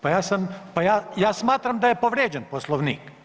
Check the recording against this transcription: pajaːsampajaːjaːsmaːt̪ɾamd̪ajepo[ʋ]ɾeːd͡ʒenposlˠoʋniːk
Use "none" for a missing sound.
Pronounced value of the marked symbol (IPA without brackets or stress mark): ʋ